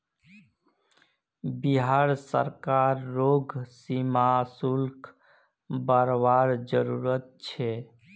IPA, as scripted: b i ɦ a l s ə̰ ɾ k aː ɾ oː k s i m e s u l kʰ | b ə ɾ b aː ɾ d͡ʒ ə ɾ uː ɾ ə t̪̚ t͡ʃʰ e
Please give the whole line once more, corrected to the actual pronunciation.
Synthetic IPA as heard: b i ɦ a ɾ s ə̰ ɾ k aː ɾː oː ɡ s i m a s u l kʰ | b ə ɾ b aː ɾ d͡ʒ ə ɾ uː ɾ ə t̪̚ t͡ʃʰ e